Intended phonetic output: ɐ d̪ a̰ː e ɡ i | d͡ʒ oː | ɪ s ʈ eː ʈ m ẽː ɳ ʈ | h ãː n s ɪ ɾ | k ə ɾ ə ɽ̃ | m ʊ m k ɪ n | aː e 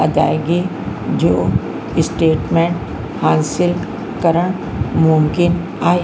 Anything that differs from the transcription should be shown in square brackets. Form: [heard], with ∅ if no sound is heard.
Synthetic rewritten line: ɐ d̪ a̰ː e ɡ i | d͡ʒ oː | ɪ s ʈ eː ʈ m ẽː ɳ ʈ | h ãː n s ɪ [l] | k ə ɾ ə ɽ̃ | m ʊ m k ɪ n | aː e